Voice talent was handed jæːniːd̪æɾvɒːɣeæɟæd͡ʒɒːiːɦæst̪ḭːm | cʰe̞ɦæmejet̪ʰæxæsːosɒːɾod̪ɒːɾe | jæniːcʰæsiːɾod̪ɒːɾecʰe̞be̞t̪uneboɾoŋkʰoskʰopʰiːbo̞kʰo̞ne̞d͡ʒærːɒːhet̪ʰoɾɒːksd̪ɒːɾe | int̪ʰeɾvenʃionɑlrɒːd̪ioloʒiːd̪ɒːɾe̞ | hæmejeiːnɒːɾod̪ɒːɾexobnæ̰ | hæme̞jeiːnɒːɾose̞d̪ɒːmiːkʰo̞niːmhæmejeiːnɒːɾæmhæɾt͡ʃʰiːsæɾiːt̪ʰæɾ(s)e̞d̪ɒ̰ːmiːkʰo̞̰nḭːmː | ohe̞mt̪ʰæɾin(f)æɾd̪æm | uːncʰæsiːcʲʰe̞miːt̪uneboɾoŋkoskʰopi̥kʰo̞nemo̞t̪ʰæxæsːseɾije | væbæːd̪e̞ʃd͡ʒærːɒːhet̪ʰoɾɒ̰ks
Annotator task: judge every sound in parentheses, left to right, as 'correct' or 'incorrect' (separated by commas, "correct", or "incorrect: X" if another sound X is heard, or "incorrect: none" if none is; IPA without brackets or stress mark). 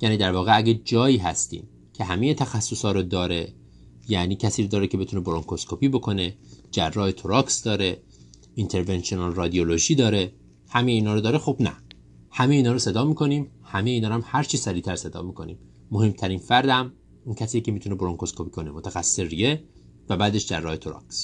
correct, correct